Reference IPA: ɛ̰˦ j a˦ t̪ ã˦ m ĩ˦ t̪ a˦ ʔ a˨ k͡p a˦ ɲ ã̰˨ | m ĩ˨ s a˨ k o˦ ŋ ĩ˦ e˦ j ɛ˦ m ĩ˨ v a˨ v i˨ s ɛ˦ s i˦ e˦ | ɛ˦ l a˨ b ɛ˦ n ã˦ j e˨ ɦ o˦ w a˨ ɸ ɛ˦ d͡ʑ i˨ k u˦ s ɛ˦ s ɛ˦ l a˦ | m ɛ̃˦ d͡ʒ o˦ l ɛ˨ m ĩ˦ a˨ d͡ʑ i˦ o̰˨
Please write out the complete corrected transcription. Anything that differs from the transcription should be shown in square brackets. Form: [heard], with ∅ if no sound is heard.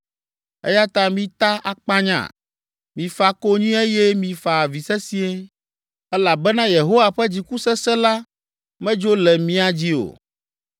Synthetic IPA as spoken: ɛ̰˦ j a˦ t̪ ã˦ m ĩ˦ t̪ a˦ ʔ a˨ k͡p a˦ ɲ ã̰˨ | m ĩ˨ [f] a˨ k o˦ [ɲ] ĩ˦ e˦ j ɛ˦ m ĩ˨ [f] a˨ v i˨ s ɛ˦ s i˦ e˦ | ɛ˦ l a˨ b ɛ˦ n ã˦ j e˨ ɦ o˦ w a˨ ɸ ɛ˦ d͡ʑ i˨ k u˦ s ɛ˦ s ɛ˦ l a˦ | m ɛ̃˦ d͡ʒ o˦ l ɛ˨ m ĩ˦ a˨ d͡ʑ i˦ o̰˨